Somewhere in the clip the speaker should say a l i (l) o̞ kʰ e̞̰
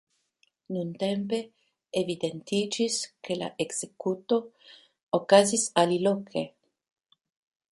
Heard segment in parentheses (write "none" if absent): l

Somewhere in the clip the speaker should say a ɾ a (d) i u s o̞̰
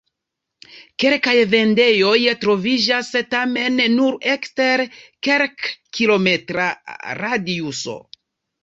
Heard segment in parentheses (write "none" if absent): d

